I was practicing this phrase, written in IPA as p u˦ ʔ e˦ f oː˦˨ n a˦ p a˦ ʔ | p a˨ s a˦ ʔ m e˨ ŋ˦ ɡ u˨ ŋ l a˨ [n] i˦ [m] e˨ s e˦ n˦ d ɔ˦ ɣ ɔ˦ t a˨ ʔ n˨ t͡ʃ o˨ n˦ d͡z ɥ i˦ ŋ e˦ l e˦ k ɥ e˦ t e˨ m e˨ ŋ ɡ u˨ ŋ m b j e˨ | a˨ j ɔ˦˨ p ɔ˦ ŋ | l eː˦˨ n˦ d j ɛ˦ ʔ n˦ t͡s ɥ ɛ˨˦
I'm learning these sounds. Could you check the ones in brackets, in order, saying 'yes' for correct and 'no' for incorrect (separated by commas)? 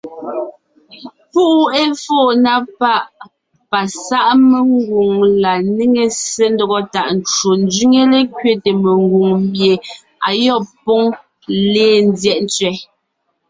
yes, no